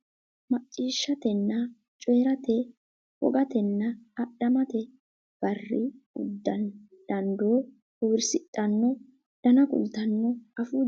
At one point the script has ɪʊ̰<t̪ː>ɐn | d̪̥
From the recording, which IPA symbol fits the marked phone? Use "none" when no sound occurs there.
d̪ː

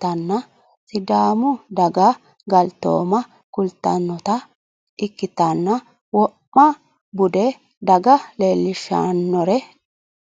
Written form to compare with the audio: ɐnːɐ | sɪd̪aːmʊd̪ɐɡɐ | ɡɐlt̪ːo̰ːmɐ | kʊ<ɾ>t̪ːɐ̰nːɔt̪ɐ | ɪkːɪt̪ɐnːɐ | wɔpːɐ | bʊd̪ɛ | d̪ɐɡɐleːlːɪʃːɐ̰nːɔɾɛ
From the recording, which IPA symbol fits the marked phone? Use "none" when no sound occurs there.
l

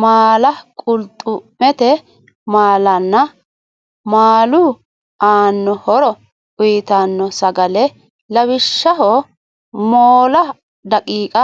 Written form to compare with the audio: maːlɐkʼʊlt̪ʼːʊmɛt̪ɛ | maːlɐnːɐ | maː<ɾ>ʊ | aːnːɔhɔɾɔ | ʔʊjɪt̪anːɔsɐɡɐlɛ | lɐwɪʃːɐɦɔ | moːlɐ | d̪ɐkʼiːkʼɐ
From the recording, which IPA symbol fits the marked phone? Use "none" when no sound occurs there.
l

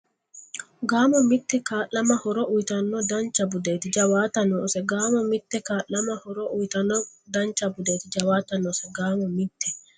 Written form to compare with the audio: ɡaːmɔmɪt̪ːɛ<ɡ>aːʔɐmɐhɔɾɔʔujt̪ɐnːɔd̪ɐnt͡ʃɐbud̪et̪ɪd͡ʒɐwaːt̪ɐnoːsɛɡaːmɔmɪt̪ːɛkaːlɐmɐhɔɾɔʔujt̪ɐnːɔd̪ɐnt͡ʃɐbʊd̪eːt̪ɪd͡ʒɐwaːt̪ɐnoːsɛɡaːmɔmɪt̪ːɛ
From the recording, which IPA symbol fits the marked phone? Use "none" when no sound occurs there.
k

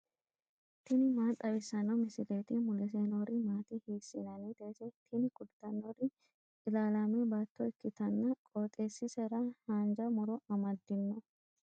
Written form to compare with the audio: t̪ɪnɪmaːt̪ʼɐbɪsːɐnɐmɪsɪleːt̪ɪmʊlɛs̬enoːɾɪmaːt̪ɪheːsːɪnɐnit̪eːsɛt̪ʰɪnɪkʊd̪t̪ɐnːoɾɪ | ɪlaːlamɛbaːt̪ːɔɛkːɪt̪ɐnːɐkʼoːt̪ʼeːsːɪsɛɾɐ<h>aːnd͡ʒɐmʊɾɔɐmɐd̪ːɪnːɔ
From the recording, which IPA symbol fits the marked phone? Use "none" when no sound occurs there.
h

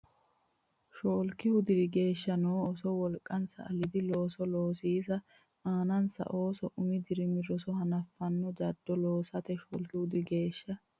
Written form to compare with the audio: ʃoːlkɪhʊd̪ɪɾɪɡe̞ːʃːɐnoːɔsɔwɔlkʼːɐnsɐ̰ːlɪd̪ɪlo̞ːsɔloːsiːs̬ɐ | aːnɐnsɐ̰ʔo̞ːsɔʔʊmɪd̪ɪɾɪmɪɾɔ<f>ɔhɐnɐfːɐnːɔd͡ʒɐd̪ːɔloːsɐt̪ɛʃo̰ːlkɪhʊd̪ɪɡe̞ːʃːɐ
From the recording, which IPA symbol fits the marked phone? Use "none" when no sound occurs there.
s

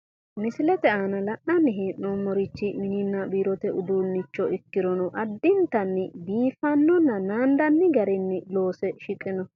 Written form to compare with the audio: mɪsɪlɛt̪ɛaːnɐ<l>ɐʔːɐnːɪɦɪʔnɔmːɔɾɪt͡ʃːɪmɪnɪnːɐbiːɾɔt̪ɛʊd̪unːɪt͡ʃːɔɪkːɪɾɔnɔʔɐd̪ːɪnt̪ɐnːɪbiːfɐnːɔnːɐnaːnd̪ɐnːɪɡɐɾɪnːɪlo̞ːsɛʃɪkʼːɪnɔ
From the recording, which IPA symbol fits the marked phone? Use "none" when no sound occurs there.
l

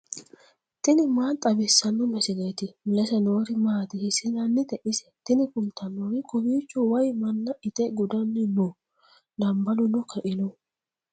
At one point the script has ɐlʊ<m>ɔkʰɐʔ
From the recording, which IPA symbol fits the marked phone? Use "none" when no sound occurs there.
n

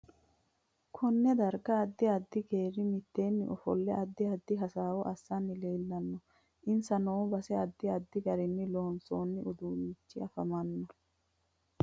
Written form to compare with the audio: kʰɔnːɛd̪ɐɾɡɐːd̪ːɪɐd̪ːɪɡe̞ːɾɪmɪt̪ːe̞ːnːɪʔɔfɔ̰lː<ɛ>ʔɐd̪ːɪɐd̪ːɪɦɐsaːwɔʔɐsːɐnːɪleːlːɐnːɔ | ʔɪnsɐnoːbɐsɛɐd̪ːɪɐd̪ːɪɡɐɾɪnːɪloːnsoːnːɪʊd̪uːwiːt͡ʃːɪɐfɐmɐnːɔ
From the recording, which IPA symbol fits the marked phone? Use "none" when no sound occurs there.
ɛ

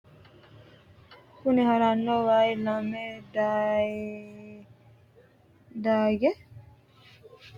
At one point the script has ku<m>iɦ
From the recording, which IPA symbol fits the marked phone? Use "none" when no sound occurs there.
n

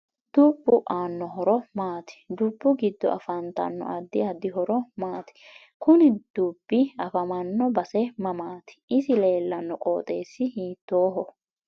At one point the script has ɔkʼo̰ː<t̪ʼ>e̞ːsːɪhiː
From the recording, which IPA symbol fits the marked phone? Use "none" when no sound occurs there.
t̪ʼ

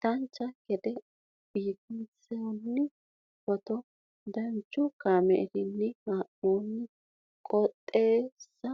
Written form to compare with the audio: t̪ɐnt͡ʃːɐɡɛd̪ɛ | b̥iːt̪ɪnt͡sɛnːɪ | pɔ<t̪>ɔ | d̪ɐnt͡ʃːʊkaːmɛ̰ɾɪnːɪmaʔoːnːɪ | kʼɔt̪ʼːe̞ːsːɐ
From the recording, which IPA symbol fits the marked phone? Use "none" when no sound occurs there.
t̪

